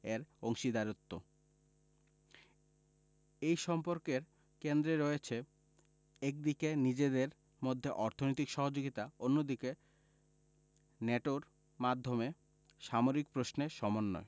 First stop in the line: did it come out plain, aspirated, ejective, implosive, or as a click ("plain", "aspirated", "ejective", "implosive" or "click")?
plain